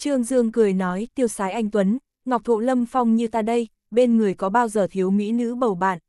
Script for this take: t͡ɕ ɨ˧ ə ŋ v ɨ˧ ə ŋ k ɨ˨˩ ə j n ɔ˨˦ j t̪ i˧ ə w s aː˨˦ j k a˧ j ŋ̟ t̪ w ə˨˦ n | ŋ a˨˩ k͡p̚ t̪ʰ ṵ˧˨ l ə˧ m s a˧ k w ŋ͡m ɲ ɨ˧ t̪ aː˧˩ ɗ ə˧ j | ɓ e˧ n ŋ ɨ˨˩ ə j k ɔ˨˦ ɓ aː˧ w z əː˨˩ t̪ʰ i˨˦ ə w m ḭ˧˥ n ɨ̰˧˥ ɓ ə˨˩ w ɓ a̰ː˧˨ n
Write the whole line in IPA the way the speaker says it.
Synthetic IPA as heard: t͡ɕ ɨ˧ ə ŋ z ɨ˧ ə ŋ k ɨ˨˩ ə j n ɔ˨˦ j t̪ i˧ ə w s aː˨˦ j ʔ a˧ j ŋ̟ t̪ w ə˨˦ n | ŋ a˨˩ k͡p̚ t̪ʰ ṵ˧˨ l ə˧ m f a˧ w ŋ͡m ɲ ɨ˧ t̪ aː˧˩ ɗ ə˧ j | ɓ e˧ n ŋ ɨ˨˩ ə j k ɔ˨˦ ɓ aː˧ w z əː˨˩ t̪ʰ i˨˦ ə w m ḭ˧˥ n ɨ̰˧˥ ɓ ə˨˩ w ɓ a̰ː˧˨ n